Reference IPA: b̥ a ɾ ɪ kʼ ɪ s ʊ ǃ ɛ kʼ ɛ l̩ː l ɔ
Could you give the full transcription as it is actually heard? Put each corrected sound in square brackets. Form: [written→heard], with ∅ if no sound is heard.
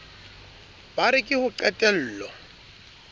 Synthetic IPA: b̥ a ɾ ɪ kʼ ɪ [s→h] ʊ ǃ ɛ [kʼ→tʼ] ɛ l̩ː l ɔ